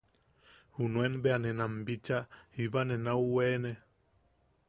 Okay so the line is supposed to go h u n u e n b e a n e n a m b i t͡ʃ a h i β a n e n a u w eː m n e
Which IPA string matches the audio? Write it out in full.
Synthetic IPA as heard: h u n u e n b e a n e n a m b i t͡ʃ a h i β a n e n a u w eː n e

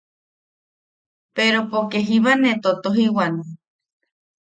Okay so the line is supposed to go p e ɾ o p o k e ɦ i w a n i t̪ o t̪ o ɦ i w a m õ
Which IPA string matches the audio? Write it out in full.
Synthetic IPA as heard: p e ɾ o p o k e ɦ i β a n e t̪ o t̪ o ɦ i w a n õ

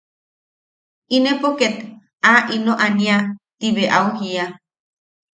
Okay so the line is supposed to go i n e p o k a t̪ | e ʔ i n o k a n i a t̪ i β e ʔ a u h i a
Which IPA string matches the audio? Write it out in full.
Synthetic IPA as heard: i n e p o k e t̪ | a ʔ i n o ʔ a n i a t̪ i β e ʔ a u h i a

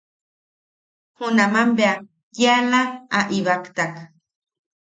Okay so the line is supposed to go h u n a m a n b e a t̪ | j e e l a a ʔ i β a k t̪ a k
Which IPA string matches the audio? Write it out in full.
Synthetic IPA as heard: h u n a m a m b e a | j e a l a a ʔ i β a k t̪ a k

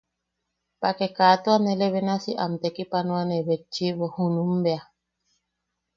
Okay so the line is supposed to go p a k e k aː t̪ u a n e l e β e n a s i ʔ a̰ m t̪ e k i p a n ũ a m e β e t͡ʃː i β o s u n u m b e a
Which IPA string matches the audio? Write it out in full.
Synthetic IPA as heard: p a k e k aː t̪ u a n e l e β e n a s i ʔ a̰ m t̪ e k i p a n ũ a n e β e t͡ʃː i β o h u n u m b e a

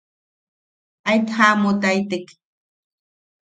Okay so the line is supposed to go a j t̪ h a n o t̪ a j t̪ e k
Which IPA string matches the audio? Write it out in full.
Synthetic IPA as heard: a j t̪ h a m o t̪ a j t̪ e k

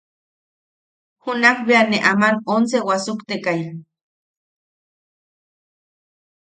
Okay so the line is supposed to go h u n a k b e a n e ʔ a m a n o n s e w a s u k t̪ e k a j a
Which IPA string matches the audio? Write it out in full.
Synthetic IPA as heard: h u n a k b e a n e ʔ a m a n o n s e w a s u k t̪ e k a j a

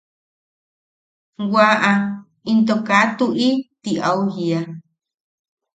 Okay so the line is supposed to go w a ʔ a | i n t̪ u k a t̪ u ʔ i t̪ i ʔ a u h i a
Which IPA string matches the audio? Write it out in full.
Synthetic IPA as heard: w a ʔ a | i n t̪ o k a t̪ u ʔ i t̪ i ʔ a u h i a

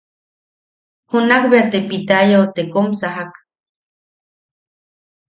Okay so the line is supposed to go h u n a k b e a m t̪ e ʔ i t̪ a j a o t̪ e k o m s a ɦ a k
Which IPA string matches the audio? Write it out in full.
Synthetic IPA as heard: h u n a k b e a t̪ e p i t̪ a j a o t̪ e k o m s a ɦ a k

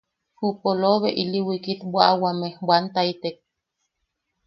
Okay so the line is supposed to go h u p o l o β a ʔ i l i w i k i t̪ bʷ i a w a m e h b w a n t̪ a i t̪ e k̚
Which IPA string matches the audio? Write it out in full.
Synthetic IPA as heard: h u p o l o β e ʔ i l i w i k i t̪ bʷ a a w a m e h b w a n t̪ a i t̪ e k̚

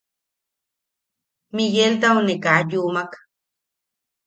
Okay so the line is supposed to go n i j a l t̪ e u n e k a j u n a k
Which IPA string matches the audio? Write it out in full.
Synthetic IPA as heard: m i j e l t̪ a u n e k a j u m a k

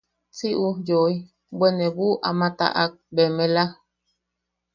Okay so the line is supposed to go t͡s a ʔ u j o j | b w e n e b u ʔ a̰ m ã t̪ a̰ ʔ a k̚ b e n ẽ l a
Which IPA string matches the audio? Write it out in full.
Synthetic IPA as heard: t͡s i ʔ u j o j | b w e n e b u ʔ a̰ m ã t̪ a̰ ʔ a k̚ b e m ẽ l a

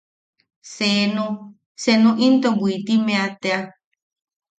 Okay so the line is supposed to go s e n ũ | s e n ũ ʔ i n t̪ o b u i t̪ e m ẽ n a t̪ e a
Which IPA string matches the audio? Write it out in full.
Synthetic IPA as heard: s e n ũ | s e n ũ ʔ i n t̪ o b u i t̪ i m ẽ a t̪ e a

